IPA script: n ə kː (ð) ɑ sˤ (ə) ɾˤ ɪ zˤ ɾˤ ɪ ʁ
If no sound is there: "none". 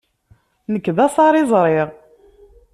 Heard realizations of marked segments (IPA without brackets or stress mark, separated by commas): ð, ɑ